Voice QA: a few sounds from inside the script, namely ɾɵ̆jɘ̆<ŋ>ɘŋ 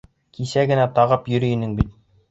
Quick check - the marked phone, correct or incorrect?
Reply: incorrect